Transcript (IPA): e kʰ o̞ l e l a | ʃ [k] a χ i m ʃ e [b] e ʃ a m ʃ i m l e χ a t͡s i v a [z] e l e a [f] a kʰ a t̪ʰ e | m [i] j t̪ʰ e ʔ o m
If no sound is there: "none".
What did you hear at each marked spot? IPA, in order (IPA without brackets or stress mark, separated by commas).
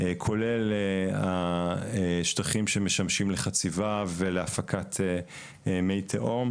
t, m, v, f, e